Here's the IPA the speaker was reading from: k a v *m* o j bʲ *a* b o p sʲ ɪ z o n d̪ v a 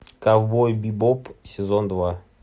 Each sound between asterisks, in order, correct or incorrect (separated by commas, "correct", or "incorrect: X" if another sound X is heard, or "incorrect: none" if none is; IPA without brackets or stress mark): incorrect: b, incorrect: i